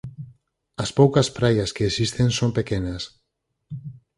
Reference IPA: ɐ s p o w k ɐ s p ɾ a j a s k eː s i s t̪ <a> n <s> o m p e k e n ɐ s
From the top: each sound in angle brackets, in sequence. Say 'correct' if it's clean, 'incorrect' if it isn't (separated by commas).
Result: incorrect, correct